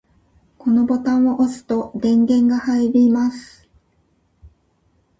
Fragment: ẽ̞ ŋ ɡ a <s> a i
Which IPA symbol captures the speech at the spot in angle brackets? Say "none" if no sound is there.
h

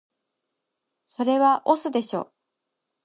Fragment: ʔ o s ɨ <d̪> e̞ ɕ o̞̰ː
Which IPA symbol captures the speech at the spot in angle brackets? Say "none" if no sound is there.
d̪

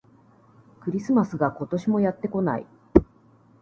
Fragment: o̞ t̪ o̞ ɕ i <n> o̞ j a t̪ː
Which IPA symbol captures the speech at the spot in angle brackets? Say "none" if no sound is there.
m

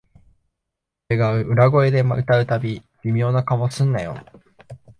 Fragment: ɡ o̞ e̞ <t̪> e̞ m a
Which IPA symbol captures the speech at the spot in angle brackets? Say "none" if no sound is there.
d̪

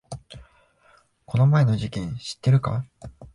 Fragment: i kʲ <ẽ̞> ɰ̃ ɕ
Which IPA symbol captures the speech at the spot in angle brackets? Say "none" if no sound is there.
ẽ̞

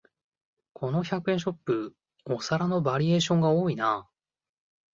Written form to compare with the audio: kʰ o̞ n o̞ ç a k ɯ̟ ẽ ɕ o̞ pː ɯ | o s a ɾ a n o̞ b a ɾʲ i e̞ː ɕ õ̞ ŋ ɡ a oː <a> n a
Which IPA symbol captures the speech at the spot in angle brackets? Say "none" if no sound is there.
i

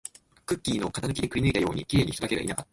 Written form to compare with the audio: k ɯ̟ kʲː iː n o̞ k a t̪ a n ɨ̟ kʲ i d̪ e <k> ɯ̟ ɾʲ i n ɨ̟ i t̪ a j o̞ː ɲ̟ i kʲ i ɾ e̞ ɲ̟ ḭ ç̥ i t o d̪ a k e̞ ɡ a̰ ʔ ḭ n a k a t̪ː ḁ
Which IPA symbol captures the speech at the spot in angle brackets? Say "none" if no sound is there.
k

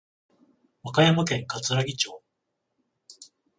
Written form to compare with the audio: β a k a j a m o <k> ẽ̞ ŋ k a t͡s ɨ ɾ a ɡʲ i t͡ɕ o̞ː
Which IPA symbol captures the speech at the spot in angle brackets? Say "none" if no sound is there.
k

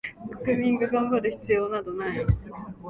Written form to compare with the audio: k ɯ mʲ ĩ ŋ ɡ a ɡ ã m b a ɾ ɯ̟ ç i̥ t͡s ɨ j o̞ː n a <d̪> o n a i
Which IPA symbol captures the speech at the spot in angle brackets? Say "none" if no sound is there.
d̪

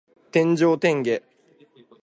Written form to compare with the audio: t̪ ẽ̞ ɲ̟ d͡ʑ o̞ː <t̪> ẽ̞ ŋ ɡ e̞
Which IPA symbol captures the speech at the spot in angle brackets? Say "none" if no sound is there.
t̪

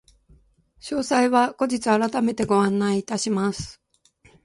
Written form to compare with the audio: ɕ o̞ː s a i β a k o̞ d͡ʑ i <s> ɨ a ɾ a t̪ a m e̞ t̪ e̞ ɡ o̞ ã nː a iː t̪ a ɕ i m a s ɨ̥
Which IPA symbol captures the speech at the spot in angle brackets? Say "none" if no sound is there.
t͡s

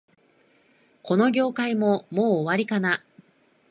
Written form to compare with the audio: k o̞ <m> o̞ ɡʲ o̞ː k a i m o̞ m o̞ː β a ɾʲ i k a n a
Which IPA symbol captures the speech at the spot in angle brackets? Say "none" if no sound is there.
n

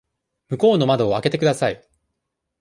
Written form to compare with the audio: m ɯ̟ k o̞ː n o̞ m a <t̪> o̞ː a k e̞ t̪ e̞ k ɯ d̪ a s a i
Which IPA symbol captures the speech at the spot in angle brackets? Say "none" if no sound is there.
d̪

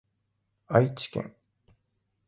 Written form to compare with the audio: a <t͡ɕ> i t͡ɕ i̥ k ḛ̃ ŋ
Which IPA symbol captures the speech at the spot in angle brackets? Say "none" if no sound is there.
none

